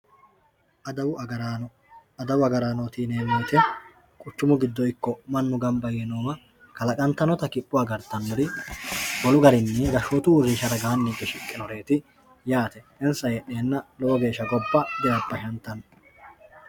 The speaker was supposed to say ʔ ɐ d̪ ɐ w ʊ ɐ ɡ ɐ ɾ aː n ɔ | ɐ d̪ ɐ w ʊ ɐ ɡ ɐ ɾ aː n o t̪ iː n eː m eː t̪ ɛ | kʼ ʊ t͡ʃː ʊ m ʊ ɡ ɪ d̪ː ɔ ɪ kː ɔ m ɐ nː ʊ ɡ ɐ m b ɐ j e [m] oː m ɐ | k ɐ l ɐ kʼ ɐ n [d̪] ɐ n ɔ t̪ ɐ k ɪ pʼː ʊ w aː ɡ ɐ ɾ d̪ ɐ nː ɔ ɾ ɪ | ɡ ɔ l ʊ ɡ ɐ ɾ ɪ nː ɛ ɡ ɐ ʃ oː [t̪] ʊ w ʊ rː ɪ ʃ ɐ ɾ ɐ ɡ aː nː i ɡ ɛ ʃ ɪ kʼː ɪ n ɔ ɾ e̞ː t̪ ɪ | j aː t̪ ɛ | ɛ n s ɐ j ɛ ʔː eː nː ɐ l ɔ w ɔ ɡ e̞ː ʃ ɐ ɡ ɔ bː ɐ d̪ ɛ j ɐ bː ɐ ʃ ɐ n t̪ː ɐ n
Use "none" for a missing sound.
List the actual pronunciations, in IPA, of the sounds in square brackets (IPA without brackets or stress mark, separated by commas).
n, t̪, t̪